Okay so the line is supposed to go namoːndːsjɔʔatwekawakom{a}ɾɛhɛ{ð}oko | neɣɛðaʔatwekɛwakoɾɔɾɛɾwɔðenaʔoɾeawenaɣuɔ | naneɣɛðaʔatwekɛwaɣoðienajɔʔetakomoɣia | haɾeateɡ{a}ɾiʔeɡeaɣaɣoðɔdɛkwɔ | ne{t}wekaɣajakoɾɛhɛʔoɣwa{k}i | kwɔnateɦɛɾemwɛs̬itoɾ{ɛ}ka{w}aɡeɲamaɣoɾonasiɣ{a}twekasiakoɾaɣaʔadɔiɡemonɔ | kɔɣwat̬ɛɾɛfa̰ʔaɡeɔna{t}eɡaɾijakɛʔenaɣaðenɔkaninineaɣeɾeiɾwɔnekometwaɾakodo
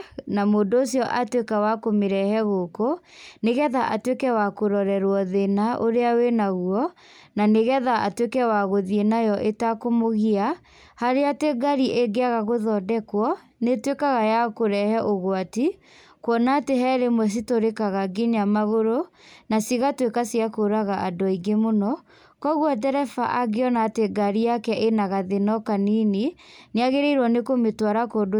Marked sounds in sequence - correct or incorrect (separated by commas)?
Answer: incorrect, incorrect, correct, correct, incorrect, incorrect, incorrect, correct, correct